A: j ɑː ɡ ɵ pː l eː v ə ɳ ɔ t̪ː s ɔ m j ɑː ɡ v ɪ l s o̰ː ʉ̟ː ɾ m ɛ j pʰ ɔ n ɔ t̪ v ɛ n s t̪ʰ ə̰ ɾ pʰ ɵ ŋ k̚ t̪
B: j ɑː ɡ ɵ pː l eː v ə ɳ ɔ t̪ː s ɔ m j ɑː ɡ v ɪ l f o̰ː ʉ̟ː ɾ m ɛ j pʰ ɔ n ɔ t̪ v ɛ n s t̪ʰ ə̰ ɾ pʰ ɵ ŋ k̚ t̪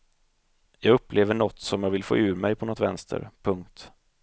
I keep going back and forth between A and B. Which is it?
B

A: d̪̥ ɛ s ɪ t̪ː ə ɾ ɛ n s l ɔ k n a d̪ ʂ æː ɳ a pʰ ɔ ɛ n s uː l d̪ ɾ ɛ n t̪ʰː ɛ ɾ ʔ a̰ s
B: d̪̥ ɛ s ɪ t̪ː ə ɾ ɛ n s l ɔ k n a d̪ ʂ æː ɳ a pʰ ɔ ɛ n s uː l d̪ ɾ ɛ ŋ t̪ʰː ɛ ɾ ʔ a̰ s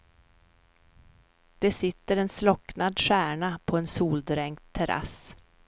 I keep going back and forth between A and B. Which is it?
B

